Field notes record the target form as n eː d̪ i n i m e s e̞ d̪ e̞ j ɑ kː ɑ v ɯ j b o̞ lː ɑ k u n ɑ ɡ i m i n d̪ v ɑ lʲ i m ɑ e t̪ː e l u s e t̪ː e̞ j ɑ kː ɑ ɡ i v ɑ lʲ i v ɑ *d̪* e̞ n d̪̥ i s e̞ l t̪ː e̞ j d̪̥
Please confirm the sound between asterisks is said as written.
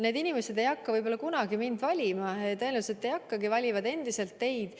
yes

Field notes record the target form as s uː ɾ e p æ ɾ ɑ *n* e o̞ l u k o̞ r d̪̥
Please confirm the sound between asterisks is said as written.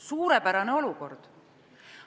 yes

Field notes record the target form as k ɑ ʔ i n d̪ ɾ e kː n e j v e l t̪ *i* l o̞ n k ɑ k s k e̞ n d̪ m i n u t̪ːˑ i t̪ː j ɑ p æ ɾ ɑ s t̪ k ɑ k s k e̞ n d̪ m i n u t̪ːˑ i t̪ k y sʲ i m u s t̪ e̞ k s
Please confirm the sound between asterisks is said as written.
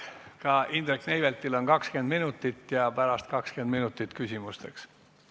yes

